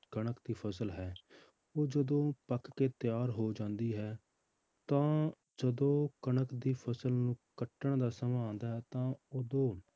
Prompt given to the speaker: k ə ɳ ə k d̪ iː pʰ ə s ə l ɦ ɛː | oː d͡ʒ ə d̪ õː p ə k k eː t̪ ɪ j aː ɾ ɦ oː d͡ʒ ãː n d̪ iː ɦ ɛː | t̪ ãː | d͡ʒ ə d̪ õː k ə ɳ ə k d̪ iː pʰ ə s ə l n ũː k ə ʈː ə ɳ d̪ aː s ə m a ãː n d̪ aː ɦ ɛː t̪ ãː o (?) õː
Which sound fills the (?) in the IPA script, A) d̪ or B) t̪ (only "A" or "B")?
A